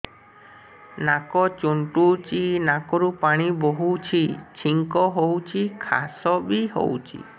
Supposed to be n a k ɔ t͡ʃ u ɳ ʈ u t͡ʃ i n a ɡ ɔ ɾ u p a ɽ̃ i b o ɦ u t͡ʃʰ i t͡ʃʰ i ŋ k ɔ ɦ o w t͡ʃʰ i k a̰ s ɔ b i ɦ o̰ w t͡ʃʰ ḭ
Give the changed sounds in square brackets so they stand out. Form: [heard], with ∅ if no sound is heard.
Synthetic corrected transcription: n a k ɔ t͡ʃ u ɳ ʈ u t͡ʃ i n a [k] ɔ ɾ u p a ɽ̃ i b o ɦ u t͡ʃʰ i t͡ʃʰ i ŋ k ɔ ɦ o w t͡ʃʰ i [kʰ] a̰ s ɔ b i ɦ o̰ w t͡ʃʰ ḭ

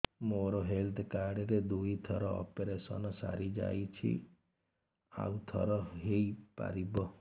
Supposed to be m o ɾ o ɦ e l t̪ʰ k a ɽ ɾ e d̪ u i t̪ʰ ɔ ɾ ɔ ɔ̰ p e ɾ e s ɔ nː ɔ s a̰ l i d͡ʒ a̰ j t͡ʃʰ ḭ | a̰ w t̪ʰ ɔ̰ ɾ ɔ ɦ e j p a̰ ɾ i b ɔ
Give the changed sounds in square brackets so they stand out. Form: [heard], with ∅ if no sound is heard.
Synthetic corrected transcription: m o ɾ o ɦ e l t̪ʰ k a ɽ ɾ e d̪ u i t̪ʰ ɔ ɾ ɔ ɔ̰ p e ɾ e s ɔ [n] ɔ s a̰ [ɾ] i d͡ʒ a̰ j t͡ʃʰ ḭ | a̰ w t̪ʰ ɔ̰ ɾ ɔ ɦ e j p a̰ ɾ i b ɔ

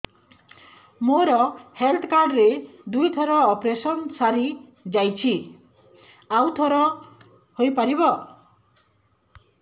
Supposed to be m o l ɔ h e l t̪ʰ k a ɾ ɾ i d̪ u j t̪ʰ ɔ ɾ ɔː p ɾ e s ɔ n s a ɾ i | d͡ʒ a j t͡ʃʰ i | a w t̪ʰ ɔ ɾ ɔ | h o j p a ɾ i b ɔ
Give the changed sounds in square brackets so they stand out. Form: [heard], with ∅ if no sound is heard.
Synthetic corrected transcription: m o [ɾ] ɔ h e l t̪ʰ k a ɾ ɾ [e] d̪ u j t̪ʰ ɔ ɾ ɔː p ɾ e s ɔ n s a ɾ i | d͡ʒ a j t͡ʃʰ i | a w t̪ʰ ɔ ɾ ɔ | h o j p a ɾ i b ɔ

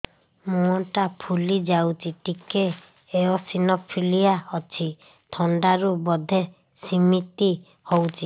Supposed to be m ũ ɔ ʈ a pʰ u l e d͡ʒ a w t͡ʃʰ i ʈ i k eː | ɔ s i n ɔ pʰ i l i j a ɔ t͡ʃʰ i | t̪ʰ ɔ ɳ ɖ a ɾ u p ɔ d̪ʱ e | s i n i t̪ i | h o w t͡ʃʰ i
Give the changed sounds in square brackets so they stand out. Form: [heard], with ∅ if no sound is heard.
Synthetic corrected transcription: m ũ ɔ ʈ a pʰ u l [i] d͡ʒ a w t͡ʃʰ i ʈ i k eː | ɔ s i n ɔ pʰ i l i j a ɔ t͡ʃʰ i | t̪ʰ ɔ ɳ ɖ a ɾ u [b] ɔ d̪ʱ e | s i [m] i t̪ i | h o w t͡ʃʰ i

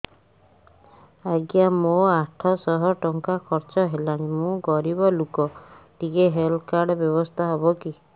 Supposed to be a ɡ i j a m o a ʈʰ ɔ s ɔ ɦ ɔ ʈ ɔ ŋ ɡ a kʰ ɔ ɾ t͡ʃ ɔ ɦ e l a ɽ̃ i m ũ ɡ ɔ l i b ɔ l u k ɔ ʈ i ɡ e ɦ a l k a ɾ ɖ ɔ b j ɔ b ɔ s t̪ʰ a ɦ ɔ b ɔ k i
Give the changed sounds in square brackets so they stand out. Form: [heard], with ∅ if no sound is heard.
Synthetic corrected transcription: a ɡ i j a m o a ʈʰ ɔ s ɔ ɦ ɔ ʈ ɔ ŋ [k] a kʰ ɔ ɾ t͡ʃ ɔ ɦ e l a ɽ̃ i m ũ ɡ ɔ [ɾ] i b ɔ l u k ɔ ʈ i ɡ e ɦ [e] l k a ɾ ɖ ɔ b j ɔ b ɔ s t̪ʰ a ɦ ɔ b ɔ k i

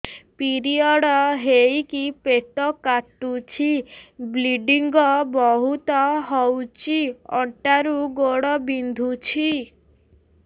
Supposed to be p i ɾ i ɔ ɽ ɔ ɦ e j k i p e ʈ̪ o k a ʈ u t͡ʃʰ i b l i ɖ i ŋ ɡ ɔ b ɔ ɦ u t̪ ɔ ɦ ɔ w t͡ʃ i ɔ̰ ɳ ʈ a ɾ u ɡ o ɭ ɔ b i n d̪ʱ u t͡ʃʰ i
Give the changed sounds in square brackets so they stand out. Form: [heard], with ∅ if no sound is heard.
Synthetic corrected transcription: p i ɾ i ɔ ɽ ɔ ɦ e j k i p e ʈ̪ [ɔ] k a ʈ u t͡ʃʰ i b l i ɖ i ŋ ɡ ɔ b ɔ ɦ u t̪ ɔ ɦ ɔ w t͡ʃ i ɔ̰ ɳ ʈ a ɾ u ɡ o [ɽ] ɔ b i n d̪ʱ u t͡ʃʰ i

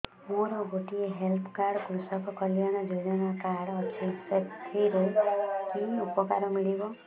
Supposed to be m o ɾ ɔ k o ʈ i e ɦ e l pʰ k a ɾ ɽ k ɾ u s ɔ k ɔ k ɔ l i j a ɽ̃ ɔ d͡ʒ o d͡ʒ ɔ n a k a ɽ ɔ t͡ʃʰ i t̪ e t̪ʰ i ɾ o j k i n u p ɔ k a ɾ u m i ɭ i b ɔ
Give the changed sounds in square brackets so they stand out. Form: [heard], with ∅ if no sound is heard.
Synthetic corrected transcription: m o ɾ ɔ [ɡ] o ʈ i e ɦ e l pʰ k a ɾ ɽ k ɾ u s ɔ k ɔ k ɔ l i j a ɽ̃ ɔ d͡ʒ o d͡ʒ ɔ n a k a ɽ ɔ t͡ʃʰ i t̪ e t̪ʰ i ɾ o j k i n u p ɔ k a ɾ [ɔ] m i ɭ i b ɔ

